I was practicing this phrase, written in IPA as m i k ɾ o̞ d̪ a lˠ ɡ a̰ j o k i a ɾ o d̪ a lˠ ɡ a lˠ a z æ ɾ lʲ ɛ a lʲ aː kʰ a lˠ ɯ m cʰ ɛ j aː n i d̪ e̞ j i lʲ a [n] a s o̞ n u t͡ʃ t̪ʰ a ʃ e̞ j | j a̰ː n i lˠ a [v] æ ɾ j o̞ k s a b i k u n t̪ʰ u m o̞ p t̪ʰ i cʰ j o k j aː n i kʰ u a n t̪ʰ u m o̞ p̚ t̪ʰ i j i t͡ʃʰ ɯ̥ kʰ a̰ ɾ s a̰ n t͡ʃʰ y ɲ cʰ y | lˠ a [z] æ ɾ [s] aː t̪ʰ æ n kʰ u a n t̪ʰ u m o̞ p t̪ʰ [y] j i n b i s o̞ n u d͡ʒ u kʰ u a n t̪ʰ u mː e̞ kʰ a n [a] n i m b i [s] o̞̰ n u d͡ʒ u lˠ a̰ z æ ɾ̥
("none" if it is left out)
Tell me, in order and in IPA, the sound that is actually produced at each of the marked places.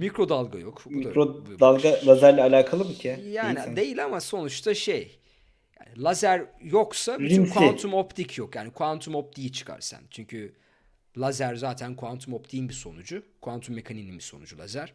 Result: m, z, z, z, i, i, s

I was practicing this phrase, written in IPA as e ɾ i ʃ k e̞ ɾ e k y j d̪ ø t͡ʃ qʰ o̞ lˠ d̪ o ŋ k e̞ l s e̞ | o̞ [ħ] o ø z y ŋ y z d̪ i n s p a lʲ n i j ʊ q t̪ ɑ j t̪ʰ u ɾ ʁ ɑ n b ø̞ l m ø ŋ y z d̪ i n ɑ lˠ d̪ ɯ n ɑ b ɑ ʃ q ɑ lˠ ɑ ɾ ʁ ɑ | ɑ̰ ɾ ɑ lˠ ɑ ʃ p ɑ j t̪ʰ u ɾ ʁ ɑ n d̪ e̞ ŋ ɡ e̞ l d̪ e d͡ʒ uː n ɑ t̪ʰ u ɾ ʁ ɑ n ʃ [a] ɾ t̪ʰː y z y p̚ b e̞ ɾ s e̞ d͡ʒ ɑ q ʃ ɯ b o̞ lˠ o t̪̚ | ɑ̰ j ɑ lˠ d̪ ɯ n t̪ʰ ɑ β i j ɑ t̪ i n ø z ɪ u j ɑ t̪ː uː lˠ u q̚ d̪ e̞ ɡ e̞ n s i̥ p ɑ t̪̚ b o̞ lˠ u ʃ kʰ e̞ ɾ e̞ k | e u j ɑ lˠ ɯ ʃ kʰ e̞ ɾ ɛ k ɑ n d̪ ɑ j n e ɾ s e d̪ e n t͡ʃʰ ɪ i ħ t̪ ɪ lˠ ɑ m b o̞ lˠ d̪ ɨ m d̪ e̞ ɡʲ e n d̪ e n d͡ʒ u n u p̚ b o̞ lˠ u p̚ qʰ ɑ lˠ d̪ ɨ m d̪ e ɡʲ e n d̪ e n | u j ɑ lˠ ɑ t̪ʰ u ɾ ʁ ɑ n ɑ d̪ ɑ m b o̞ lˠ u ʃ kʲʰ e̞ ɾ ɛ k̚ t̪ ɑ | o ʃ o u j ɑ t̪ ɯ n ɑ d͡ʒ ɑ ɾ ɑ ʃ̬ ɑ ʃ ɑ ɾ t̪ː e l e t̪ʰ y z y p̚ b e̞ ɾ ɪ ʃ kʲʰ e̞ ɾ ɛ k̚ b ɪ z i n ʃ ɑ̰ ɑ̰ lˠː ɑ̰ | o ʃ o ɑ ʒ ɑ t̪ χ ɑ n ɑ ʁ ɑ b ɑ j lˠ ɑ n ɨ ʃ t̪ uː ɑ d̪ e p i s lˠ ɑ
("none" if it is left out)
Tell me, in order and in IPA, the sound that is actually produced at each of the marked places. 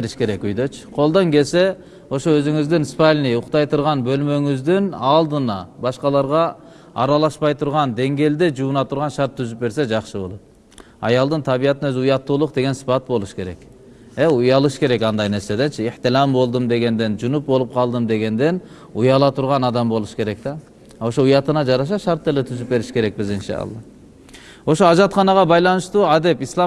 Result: ʃ, ɑ

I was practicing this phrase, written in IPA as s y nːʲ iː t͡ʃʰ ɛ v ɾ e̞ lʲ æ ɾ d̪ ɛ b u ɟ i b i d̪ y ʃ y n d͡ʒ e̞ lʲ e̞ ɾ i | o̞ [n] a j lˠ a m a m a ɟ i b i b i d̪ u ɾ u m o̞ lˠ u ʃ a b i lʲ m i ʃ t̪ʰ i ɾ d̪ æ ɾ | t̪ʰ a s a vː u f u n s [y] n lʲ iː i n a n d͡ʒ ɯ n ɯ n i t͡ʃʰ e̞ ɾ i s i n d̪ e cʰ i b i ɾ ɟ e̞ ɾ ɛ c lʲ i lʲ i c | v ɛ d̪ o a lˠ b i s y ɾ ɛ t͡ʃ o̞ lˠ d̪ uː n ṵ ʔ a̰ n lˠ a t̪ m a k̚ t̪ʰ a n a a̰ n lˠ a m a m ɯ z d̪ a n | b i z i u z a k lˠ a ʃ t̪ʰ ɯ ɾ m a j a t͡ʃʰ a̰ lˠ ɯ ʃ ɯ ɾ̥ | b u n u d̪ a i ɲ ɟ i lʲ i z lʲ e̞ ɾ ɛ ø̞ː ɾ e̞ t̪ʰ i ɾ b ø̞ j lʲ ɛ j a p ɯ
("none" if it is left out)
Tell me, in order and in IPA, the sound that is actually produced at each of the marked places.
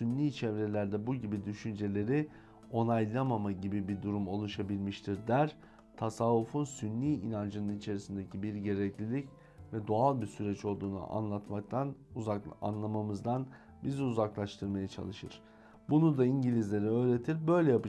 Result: n, y

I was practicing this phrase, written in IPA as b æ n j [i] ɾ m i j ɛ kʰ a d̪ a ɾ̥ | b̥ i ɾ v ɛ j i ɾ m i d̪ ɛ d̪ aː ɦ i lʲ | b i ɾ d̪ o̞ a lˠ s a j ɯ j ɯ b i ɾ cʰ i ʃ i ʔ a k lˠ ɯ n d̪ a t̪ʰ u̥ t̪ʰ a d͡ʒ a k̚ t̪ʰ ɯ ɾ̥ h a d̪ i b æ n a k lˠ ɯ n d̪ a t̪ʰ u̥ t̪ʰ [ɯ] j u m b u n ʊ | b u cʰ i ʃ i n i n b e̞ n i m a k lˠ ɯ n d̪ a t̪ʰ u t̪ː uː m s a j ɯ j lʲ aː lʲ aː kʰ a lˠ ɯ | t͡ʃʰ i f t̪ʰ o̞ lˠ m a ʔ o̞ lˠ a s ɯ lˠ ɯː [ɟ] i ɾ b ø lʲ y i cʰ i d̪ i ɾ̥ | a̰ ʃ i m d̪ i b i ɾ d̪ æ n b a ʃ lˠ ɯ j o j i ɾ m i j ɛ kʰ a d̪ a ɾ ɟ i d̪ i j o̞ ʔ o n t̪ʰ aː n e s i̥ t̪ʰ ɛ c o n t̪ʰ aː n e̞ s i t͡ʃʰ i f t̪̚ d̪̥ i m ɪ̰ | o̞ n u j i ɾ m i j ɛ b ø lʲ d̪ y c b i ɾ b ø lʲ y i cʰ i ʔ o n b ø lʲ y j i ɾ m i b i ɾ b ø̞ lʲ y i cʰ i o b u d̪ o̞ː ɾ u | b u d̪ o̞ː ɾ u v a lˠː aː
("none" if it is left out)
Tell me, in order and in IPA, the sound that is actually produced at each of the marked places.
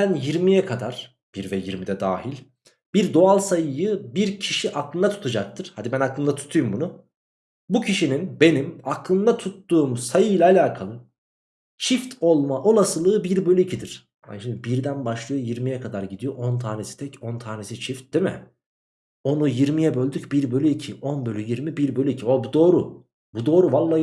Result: i, u, b

